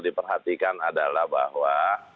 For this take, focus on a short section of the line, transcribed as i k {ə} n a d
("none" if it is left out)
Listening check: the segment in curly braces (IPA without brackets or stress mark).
a